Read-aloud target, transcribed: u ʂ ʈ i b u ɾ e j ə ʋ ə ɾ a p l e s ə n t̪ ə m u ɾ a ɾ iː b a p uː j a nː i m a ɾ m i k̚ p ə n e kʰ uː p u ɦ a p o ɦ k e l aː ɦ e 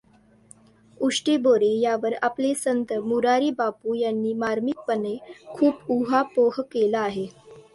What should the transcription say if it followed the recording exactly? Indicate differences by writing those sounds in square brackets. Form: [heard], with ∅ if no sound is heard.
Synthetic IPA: u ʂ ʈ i b [o] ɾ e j [a] ʋ ə ɾ a p l e s ə n t̪ ə m u ɾ a ɾ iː b a p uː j a nː [iː] m a ɾ m i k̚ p ə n e kʰ uː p u ɦ a p o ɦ k e l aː ɦ e